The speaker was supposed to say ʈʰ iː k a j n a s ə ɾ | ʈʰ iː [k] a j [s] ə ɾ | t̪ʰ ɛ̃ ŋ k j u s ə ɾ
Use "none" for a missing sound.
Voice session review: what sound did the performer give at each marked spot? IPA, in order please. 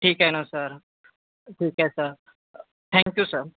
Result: k, s

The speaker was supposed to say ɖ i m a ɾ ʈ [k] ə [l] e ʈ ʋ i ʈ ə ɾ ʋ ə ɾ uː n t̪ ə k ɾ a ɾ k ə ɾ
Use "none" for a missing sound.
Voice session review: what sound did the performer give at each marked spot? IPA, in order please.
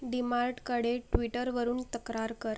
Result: k, ɽ

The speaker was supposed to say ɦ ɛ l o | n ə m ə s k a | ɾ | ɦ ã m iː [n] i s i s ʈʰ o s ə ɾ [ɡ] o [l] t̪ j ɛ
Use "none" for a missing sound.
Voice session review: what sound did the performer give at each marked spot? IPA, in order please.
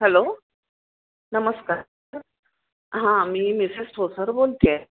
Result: m, b, l

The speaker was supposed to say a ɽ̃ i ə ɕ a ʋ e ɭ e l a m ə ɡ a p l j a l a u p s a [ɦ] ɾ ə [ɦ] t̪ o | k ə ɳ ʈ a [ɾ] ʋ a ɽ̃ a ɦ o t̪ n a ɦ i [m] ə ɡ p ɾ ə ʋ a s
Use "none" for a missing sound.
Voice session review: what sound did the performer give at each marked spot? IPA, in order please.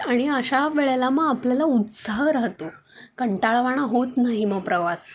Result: ɦ, ɦ, ɭ, m

